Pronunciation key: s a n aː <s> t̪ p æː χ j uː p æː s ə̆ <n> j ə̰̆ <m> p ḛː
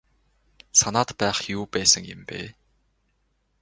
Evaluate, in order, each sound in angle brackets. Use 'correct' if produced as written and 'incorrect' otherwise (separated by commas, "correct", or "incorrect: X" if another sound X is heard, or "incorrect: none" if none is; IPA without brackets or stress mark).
incorrect: none, incorrect: ŋ, correct